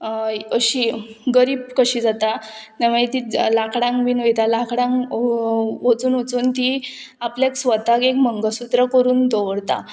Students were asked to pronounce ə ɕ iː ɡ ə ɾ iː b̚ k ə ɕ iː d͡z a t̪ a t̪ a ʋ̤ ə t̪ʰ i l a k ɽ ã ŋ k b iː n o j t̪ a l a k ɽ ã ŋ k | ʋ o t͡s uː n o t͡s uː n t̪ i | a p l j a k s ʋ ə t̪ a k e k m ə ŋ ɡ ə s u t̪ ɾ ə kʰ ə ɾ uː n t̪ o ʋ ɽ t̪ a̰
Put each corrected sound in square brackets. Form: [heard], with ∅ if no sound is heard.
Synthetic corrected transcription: ə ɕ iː ɡ ə ɾ iː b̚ k ə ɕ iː d͡z a t̪ a t̪ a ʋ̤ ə [t̪] i l a k ɽ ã ŋ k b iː n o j t̪ a l a k ɽ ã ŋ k | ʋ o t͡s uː n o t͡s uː n t̪ i | a p l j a k s ʋ ə t̪ a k e k m ə ŋ ɡ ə s u t̪ ɾ ə [k] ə ɾ uː n [d̪] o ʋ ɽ t̪ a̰

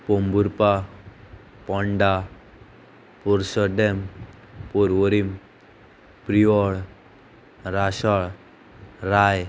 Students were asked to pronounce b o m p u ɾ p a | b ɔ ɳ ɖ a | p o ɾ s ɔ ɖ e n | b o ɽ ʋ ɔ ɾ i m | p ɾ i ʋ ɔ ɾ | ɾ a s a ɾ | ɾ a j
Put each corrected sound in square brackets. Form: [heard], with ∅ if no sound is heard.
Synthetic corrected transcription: [p] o m [b] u ɾ p a | [p] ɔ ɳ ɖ a | p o ɾ s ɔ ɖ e [m] | [p] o [ɾ] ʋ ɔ ɾ i m | p ɾ i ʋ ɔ [ɭ] | ɾ a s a [ɭ] | ɾ a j

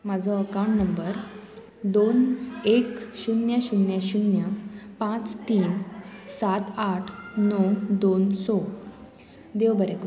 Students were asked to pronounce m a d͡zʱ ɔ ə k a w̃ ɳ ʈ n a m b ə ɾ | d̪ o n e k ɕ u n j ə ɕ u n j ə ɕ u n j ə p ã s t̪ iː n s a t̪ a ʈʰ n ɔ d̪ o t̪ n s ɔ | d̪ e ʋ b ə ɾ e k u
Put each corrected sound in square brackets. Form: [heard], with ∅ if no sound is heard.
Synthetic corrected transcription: m a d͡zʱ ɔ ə k a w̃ ɳ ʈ n [ə] m b ə ɾ | d̪ o n e k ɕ u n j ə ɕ u n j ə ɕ u n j ə p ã [t͡s] t̪ iː n s a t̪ a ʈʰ n ɔ d̪ o [∅] n s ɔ | d̪ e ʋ b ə ɾ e k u

